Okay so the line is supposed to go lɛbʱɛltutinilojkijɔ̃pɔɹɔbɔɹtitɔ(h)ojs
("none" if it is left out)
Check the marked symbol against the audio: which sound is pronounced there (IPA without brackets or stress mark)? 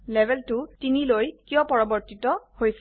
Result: h